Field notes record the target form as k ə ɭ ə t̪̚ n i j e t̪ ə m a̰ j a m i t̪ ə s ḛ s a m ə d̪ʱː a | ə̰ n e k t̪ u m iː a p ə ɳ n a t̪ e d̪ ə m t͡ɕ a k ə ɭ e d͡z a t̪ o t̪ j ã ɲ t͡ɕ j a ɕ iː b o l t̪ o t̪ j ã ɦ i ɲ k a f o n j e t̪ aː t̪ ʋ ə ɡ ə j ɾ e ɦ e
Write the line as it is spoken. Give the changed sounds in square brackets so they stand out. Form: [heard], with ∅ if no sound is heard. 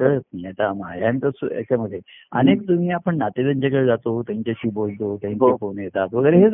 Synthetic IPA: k ə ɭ ə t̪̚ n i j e t̪ [a] m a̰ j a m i t̪ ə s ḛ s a m ə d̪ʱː [e] | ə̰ n e k t̪ u m iː a p ə ɳ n a t̪ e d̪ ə [ɲ] t͡ɕ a k ə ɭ e d͡z a t̪ o t̪ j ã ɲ t͡ɕ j a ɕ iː b o l t̪ o t̪ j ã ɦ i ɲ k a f o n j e t̪ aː t̪ ʋ ə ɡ ə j ɾ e ɦ e